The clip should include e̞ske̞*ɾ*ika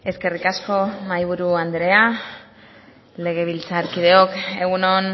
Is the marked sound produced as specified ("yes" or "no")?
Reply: no